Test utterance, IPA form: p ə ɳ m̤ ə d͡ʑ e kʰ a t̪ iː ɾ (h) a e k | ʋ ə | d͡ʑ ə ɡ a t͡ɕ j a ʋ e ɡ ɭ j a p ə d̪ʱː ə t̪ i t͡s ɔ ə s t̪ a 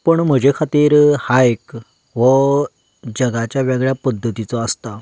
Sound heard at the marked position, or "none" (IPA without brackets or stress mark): h